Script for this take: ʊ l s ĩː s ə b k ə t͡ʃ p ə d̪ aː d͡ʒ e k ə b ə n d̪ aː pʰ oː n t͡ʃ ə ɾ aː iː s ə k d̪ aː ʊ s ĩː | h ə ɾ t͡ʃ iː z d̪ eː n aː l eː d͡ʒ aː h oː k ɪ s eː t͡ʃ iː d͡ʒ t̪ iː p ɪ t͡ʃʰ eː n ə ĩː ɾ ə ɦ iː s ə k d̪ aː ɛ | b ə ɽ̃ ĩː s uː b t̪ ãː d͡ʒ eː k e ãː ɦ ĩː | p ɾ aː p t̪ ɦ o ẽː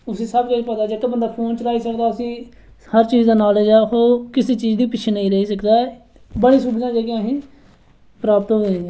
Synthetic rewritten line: ʊ s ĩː s ə b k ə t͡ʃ p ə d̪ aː d͡ʒ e k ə b ə n d̪ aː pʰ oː n t͡ʃ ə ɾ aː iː s ə k d̪ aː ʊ s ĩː | h ə ɾ t͡ʃ iː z d̪ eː n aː l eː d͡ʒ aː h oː k ɪ s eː t͡ʃ iː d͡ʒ d̪ iː p ɪ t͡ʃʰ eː n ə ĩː ɾ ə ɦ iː s ə k d̪ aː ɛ | b ə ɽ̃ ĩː s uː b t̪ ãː d͡ʒ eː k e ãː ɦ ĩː | p ɾ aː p t̪ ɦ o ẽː